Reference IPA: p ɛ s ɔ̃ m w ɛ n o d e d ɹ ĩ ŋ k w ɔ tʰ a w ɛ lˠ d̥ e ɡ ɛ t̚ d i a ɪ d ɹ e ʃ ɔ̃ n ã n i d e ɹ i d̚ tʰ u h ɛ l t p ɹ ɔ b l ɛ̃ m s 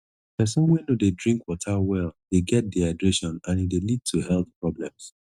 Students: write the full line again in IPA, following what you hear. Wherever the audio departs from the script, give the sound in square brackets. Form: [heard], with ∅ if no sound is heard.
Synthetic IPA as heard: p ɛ s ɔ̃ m w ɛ n o d e d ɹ ĩ ŋ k w ɔ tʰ a w ɛ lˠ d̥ e ɡ ɛ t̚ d i a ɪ d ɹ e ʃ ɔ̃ n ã n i d e [l] i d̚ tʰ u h ɛ l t p ɹ ɔ b l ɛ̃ m s